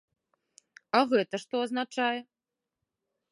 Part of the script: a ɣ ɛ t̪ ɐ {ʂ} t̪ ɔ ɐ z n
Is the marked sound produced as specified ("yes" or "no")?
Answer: yes